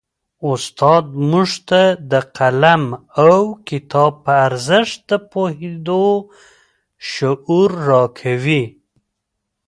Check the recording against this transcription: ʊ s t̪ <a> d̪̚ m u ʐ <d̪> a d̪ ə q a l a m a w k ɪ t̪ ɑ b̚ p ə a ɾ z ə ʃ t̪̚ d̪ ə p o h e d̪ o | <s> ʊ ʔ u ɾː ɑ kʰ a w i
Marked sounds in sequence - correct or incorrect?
incorrect, incorrect, incorrect

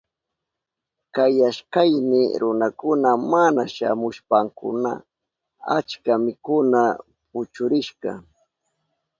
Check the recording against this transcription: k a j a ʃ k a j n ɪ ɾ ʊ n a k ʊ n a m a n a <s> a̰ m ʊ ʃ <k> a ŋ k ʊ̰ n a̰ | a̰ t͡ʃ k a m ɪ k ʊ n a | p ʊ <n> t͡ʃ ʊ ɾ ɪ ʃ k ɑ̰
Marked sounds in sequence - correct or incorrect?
incorrect, incorrect, incorrect

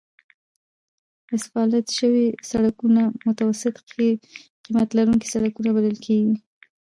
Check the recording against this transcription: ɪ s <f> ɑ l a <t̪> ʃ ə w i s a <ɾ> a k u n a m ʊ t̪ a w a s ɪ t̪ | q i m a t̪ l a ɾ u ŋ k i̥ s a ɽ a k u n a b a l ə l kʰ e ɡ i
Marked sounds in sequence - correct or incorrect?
correct, correct, incorrect

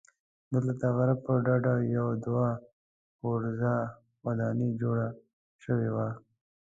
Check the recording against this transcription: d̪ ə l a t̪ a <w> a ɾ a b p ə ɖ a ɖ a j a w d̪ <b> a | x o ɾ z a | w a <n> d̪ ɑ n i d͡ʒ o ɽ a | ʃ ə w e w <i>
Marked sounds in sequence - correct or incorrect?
incorrect, incorrect, incorrect, incorrect

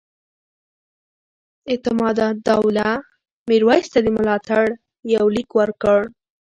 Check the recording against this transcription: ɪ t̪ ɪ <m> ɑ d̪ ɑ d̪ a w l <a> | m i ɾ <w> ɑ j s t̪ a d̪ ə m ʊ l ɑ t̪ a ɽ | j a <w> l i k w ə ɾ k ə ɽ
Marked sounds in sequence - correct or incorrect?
correct, correct, correct, correct

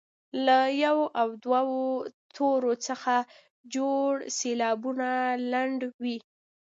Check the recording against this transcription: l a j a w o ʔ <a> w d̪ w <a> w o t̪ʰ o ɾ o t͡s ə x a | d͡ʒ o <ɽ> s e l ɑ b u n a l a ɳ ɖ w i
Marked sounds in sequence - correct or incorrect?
correct, correct, correct

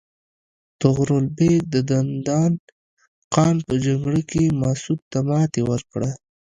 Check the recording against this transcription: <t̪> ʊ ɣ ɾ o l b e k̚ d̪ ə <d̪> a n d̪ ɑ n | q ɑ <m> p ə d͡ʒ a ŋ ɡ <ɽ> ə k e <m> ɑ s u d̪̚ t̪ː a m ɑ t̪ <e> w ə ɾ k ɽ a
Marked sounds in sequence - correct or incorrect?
correct, correct, incorrect, correct, correct, correct

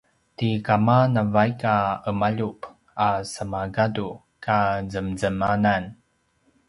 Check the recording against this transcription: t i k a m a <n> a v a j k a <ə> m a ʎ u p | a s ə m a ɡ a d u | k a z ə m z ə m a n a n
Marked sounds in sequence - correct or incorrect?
correct, correct

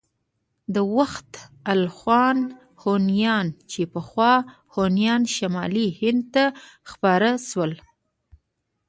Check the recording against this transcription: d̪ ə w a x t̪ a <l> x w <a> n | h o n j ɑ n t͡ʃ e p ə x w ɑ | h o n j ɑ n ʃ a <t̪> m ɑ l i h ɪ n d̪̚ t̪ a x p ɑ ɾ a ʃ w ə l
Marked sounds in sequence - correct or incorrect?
correct, incorrect, incorrect

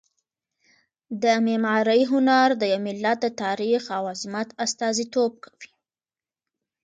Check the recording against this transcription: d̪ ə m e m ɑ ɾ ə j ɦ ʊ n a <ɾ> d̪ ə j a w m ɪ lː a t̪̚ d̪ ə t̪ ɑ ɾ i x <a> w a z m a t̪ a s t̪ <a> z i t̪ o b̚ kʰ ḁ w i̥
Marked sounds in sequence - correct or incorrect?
correct, correct, incorrect

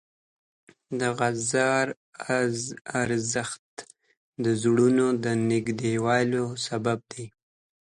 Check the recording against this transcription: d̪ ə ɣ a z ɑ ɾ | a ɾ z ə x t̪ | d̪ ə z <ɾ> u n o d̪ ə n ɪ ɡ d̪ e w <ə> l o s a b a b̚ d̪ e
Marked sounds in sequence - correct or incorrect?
incorrect, incorrect

